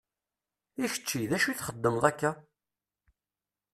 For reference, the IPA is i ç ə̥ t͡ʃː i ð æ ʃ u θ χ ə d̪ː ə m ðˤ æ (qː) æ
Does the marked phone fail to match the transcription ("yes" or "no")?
yes